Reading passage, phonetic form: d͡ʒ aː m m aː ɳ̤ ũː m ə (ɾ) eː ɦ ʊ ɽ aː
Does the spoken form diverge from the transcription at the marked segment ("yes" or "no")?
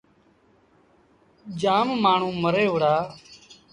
no